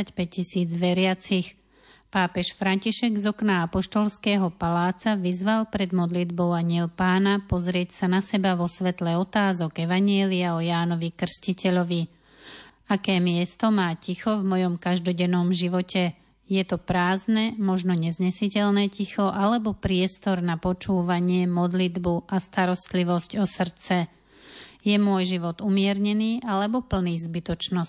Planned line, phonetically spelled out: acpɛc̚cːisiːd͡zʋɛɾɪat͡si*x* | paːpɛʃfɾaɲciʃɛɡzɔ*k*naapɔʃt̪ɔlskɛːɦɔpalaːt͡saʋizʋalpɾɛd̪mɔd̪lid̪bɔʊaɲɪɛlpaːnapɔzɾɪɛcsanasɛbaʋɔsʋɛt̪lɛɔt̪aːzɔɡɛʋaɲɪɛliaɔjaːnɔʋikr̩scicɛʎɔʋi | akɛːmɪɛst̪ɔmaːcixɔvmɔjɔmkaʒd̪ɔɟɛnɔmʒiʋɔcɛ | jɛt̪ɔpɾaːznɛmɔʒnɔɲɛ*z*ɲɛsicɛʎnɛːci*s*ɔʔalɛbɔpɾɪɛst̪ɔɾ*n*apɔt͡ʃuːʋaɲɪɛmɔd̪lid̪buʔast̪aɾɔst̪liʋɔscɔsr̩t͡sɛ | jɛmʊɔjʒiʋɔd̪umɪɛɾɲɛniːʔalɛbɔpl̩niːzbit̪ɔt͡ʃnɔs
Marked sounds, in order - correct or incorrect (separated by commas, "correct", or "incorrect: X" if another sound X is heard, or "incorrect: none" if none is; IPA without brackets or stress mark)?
correct, correct, correct, incorrect: x, correct